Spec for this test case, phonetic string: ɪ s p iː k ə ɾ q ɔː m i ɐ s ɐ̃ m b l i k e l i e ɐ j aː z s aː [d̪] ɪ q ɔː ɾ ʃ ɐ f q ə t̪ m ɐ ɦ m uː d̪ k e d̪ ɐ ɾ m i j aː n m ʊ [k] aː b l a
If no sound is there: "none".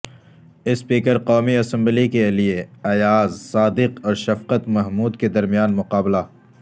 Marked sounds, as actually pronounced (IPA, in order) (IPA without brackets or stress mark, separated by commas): d̪, q